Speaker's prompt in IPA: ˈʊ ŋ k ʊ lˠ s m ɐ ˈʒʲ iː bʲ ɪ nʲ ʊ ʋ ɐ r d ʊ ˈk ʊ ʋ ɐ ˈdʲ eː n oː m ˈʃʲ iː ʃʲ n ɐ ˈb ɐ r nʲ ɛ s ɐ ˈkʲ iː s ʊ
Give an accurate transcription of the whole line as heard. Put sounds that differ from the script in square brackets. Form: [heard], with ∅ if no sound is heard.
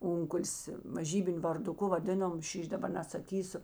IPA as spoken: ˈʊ ŋ k ʊ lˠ s m ɐ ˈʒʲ iː bʲ ɪ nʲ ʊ ʋ ɐ r d ʊ ˈk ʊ ʋ ɐ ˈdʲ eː n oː m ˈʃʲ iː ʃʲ [d] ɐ ˈb ɐ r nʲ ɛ s ɐ ˈkʲ iː s ʊ